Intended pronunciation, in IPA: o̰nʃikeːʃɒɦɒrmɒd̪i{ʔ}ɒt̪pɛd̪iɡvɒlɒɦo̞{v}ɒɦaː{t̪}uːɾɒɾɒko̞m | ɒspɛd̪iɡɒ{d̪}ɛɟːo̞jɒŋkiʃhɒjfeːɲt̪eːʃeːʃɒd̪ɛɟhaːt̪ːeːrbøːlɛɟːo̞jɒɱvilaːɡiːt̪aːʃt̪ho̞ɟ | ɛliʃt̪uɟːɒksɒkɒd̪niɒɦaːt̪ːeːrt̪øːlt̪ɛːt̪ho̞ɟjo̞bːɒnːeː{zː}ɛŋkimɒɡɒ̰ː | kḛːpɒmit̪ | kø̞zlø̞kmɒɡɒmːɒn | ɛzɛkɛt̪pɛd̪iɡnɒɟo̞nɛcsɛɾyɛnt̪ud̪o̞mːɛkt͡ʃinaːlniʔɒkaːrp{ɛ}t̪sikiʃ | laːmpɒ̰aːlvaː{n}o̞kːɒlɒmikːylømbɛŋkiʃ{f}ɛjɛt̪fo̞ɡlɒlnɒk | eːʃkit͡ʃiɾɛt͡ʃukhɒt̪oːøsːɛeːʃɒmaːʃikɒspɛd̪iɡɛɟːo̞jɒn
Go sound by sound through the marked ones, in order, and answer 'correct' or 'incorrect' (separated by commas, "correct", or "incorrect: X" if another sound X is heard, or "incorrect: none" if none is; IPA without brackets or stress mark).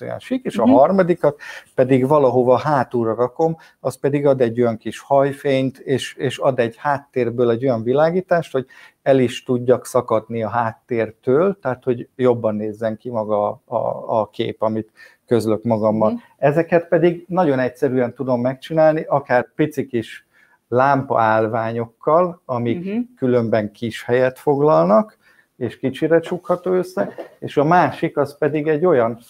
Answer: incorrect: k, correct, correct, correct, correct, incorrect: i, incorrect: ɲ, incorrect: h